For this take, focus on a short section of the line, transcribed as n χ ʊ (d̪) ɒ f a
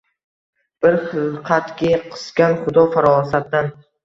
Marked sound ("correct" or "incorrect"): correct